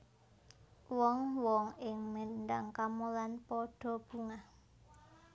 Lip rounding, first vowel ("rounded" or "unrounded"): rounded